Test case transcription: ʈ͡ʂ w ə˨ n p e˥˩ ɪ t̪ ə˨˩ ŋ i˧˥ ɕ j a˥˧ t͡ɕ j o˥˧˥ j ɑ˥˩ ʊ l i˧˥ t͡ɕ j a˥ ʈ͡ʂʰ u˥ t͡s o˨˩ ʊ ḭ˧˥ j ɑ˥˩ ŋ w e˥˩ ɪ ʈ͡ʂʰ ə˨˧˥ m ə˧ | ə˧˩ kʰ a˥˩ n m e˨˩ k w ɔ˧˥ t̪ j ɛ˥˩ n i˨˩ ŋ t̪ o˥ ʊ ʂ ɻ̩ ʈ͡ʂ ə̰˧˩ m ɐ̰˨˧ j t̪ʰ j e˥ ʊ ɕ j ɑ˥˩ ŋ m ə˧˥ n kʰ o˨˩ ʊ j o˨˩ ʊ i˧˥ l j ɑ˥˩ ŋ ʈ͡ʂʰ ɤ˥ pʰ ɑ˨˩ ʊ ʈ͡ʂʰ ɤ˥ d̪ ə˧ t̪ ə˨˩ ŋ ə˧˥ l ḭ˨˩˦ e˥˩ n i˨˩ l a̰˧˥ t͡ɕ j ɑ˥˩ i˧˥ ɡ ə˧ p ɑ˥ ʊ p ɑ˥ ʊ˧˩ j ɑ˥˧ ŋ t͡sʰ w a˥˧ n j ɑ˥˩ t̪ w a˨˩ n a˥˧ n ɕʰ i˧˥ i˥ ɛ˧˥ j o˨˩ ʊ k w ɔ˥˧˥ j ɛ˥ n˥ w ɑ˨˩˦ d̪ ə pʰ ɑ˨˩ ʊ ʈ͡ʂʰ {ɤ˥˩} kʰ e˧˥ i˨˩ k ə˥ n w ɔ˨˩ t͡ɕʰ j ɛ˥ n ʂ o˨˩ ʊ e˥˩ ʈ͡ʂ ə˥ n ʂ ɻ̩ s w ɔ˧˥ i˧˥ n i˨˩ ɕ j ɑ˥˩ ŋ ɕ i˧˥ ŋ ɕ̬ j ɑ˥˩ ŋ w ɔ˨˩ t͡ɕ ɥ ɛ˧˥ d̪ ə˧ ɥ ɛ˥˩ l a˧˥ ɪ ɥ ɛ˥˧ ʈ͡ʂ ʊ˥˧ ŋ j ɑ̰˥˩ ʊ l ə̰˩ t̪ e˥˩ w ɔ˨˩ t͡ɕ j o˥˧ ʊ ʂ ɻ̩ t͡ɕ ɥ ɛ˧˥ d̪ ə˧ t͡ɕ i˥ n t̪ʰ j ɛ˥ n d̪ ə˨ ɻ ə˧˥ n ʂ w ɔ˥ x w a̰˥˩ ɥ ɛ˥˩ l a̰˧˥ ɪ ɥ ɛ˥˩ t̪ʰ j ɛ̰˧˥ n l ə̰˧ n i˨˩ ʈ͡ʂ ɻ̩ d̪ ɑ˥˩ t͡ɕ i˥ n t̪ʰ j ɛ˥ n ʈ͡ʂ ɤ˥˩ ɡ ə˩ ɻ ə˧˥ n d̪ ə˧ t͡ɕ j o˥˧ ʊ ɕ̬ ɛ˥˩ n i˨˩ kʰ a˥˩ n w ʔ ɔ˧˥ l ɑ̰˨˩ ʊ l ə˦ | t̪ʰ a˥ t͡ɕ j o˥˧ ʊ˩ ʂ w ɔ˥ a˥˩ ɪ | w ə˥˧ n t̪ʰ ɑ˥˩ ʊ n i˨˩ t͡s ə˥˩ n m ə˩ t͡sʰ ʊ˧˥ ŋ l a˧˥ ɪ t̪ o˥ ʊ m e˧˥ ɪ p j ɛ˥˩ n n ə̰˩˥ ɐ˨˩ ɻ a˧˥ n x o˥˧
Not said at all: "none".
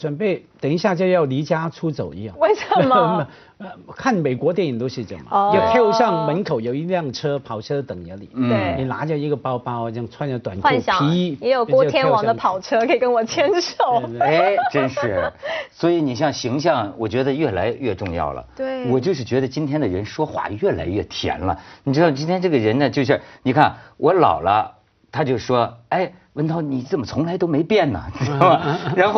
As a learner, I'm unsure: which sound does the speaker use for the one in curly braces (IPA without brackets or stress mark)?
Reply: ɤ˥